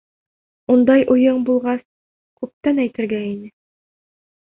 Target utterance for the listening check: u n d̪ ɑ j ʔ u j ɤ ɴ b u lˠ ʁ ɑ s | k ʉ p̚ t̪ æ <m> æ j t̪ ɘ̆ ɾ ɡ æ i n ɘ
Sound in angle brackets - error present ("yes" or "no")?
yes